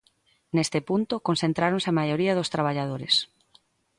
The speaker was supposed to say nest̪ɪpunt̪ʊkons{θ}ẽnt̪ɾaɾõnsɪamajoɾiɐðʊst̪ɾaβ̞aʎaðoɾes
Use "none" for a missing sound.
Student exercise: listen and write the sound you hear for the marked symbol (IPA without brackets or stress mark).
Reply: θ